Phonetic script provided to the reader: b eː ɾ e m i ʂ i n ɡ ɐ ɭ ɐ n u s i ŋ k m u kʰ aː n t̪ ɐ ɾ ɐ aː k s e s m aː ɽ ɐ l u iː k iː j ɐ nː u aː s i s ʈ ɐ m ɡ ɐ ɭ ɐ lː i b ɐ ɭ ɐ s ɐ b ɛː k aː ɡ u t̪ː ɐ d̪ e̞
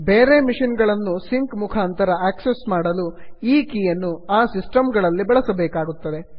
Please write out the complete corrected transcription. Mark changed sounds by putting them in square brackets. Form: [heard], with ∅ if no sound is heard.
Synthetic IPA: b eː ɾ e m i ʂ i n ɡ ɐ ɭ ɐ [nː] u s i ŋ k m u kʰ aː n t̪ ɐ ɾ ɐ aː k s e s m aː ɽ ɐ l u iː k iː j ɐ nː u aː s i s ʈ ɐ m ɡ ɐ ɭ ɐ lː i b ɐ ɭ ɐ s ɐ b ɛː k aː ɡ u t̪ː ɐ d̪ e̞

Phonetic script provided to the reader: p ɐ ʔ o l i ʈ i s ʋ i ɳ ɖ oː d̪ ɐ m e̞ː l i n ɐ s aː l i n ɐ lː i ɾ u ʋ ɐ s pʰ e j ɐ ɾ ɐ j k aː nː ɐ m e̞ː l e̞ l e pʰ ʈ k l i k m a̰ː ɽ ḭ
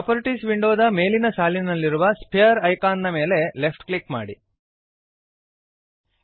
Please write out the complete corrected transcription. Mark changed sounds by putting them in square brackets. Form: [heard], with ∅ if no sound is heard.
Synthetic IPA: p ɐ [p] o [ɾ] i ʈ i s ʋ i ɳ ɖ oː d̪ ɐ m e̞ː l i n ɐ s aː l i n ɐ lː i ɾ u ʋ ɐ s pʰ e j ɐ ɾ ɐ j k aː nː ɐ m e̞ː l e̞ l e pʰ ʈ k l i k m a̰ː ɽ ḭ

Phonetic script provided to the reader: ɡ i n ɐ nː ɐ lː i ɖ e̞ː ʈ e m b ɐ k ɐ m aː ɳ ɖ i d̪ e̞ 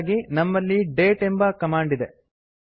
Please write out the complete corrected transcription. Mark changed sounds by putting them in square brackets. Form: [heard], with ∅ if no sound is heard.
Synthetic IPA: ɡ i n ɐ [mː] ɐ lː i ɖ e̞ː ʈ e m b ɐ k ɐ m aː ɳ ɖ i d̪ e̞

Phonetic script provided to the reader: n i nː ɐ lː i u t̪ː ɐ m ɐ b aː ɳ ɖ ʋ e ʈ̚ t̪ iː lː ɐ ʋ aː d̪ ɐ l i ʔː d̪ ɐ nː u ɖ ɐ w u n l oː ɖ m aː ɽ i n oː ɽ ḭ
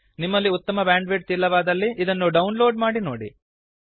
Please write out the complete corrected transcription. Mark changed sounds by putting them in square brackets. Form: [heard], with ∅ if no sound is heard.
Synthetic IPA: n i [mː] ɐ lː i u t̪ː ɐ m ɐ b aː ɳ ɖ ʋ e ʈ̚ t̪ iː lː ɐ ʋ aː d̪ ɐ [lː] i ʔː d̪ ɐ nː u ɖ ɐ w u n l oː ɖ m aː ɽ i n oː ɽ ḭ

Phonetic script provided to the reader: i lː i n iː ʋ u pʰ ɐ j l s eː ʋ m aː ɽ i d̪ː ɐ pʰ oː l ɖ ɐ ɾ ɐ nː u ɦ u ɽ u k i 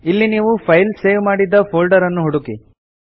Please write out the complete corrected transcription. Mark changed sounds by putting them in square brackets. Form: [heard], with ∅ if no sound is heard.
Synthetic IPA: i lː i n iː ʋ u pʰ ɐ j l s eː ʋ m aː ɽ i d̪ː ɐ pʰ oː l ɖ ɐ ɾ ɐ nː u ɦ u ɽ u k i

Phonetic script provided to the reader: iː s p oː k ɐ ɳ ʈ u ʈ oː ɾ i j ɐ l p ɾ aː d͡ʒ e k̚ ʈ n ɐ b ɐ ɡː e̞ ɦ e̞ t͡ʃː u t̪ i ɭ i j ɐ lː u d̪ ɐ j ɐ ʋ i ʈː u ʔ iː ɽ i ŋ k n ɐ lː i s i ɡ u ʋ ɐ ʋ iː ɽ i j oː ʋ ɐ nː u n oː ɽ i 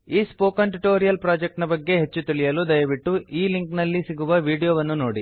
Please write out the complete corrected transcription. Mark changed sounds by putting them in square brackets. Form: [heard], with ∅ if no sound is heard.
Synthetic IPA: iː s p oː k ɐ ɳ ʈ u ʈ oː ɾ i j ɐ l p ɾ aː d͡ʒ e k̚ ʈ n ɐ b ɐ ɡː e̞ ɦ e̞ t͡ʃː u t̪ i ɭ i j ɐ [l] u d̪ ɐ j ɐ ʋ i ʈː u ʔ iː [l] i ŋ k n ɐ lː i s i ɡ u ʋ ɐ ʋ iː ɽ i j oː ʋ ɐ nː u n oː ɽ i

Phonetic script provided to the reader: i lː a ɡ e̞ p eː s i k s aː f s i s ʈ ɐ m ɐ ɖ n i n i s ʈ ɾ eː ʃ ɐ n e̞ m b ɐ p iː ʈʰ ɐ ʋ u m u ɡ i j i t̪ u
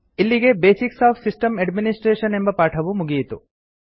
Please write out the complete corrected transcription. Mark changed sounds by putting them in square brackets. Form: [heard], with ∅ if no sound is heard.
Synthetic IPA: i lː [i] ɡ e̞ [b] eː s i k s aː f s i s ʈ ɐ m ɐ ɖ [m] i n i s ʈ ɾ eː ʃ ɐ n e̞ m b ɐ p [aː] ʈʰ ɐ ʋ u m u ɡ i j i t̪ u

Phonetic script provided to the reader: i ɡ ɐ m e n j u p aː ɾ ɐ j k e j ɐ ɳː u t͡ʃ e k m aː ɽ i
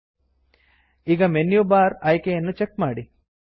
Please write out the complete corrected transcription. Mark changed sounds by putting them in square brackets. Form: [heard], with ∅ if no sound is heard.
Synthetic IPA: i ɡ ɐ m e n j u [b] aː ɾ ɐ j k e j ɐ [nː] u t͡ʃ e k m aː ɽ i

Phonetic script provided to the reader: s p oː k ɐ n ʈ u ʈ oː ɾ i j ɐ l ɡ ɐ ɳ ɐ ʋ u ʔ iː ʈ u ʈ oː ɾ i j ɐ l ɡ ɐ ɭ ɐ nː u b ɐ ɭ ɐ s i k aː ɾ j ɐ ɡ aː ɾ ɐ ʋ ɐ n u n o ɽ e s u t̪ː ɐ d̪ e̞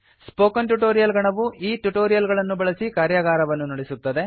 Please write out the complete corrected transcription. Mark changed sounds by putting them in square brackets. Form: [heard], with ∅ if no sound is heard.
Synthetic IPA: s p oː k ɐ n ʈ u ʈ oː ɾ i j ɐ l ɡ ɐ ɳ ɐ ʋ u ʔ iː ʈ u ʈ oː ɾ i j ɐ l ɡ ɐ ɭ ɐ nː u b ɐ ɭ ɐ s i k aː ɾ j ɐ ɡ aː ɾ ɐ ʋ ɐ [nː] u n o ɽ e s u t̪ː ɐ d̪ e̞

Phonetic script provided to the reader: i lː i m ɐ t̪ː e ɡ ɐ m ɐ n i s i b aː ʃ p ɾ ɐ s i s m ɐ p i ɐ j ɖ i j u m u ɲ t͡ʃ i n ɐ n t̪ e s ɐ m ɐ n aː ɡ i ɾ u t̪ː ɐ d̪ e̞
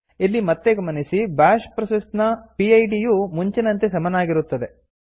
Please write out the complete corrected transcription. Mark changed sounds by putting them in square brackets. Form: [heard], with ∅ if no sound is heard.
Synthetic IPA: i lː i m ɐ t̪ː e ɡ ɐ m ɐ n i s i b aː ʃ p ɾ ɐ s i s [n] ɐ p i ɐ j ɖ i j u m u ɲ t͡ʃ i n ɐ n t̪ e s ɐ m ɐ n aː ɡ i ɾ u t̪ː ɐ d̪ e̞

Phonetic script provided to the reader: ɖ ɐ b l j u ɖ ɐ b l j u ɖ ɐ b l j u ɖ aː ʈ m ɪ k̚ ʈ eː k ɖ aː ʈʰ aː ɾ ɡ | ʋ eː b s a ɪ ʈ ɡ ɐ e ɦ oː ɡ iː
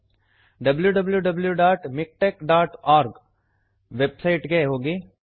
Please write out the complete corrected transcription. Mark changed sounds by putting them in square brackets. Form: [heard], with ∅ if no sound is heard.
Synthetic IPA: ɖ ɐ b l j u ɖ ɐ b l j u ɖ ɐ b l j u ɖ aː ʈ m ɪ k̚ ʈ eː k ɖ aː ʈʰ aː ɾ ɡ | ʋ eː b s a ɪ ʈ ɡ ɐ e ɦ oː ɡ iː

